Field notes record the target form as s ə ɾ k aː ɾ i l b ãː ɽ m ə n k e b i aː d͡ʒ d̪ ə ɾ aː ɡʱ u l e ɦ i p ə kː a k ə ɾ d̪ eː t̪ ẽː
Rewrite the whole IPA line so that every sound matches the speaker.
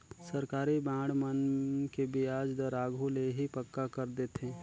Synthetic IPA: s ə ɾ k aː ɾ i b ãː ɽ m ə n k e b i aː d͡ʒ d̪ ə ɾ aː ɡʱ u l e ɦ i p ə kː a k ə ɾ d̪ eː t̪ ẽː